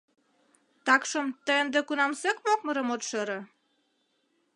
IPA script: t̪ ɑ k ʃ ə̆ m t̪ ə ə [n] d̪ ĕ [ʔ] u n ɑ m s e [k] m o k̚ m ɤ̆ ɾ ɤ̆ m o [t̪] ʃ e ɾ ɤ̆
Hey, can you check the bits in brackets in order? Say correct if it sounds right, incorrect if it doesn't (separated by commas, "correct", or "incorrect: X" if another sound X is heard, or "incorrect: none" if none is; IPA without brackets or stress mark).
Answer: correct, incorrect: k, correct, correct